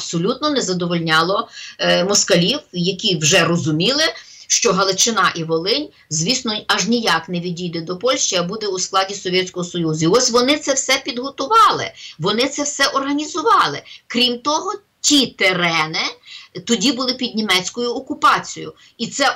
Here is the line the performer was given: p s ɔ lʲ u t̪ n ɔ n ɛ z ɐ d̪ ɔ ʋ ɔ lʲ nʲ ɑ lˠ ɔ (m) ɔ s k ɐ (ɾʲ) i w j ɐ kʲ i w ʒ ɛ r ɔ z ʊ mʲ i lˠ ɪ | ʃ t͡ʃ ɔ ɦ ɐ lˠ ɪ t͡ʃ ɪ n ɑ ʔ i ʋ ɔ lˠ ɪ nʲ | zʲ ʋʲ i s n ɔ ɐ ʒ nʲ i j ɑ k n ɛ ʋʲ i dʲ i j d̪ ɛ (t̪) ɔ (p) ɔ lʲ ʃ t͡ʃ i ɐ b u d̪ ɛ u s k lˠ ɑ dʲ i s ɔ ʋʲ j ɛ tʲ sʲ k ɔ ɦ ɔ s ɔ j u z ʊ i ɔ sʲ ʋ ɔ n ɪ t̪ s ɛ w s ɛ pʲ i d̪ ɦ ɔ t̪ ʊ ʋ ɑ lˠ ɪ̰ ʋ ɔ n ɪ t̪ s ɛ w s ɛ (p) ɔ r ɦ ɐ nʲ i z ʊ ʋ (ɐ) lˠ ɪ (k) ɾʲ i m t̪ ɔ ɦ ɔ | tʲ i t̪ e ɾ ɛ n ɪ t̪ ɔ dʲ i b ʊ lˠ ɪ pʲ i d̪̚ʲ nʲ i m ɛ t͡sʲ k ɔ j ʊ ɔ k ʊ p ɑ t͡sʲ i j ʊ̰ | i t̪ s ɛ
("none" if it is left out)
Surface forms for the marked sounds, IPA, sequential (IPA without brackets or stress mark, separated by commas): m, lʲ, d̪, p, ʔ, ɑ, k